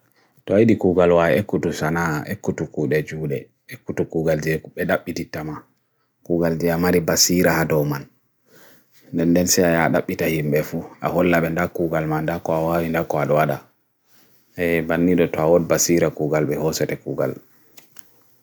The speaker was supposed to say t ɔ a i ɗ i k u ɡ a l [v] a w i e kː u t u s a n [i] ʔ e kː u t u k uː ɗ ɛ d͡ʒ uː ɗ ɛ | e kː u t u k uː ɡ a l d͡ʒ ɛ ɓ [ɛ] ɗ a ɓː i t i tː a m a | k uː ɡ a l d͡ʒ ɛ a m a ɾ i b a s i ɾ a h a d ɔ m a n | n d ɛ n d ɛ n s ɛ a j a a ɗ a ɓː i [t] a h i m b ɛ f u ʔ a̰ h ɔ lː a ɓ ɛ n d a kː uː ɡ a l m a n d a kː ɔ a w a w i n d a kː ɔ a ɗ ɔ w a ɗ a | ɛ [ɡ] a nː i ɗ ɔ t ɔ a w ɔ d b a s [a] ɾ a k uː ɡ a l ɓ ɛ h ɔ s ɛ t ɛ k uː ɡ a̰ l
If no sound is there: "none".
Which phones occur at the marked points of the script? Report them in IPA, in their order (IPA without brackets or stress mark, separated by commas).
w, a, ɛ, t, b, i